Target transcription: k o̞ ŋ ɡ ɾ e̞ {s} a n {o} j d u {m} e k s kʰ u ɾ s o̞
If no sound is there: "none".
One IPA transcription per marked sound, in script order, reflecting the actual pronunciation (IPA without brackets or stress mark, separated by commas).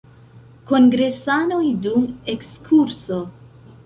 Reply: s, o, m